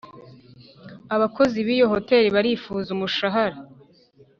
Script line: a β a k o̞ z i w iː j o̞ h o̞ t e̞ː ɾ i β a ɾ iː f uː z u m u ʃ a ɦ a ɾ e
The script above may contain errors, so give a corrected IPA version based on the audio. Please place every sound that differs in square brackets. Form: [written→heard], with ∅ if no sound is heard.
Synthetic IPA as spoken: a β a k o̞ z i [w→β] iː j o̞ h o̞ t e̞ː ɾ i β a ɾ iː f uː z u m u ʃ a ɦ a ɾ [e→a]